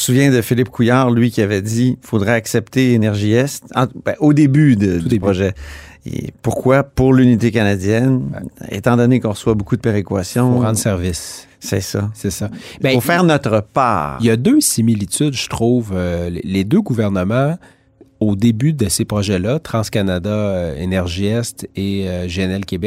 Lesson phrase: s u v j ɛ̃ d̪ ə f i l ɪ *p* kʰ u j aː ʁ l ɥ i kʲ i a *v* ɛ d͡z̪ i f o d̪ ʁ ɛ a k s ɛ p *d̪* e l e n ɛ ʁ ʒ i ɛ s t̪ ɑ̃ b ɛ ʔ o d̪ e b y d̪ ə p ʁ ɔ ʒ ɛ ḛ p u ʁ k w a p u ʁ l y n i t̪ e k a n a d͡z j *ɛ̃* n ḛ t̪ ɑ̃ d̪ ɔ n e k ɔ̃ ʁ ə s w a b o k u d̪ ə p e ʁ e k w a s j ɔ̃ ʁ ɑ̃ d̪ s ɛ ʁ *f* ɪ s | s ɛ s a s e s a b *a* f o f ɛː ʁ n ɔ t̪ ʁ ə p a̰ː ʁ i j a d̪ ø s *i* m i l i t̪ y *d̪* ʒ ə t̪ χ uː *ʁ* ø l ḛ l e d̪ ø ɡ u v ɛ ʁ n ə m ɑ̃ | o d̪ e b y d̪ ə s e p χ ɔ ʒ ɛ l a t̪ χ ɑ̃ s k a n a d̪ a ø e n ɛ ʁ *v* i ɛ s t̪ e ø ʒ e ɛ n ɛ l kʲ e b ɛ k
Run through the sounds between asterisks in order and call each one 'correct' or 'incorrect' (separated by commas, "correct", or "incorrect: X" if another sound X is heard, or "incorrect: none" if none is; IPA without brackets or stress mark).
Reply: correct, correct, incorrect: t̪, incorrect: ɛ, incorrect: v, incorrect: ɛ, correct, correct, incorrect: v, incorrect: ʒ